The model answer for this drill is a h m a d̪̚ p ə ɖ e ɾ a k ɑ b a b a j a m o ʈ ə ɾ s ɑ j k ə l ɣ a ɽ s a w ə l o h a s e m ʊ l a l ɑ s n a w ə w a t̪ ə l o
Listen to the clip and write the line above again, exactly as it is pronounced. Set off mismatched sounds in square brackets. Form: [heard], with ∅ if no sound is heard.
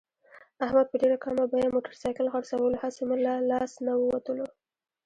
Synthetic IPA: a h m a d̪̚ p ə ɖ e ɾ a k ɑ [m] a b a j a m o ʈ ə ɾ s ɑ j k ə l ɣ a ɽ s a w ə l o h a s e m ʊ l a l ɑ s n a w ə w a t̪ ə l o